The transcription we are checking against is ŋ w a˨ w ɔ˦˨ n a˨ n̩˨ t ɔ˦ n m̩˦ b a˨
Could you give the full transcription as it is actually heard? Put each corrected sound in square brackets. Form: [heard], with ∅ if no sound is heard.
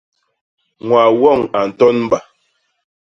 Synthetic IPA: ŋ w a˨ w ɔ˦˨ [ŋ] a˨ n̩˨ t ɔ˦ n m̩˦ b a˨